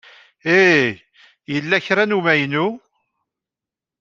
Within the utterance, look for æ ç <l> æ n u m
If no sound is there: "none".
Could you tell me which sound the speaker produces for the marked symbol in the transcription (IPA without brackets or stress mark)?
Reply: ɾ